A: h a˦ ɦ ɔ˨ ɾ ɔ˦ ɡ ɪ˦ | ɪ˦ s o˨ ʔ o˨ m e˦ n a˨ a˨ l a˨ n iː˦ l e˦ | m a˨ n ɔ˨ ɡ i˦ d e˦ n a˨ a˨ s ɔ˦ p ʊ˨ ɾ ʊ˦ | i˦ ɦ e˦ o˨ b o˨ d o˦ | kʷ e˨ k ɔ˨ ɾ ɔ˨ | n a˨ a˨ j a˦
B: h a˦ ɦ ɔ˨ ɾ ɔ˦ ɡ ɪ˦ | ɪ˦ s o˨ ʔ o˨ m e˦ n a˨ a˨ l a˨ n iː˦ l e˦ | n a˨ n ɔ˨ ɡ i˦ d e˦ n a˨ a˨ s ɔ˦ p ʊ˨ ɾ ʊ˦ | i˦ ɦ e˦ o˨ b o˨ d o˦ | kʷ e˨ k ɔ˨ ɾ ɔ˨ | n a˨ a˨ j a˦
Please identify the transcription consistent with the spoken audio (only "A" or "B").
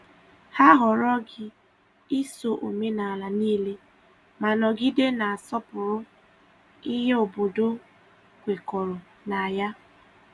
A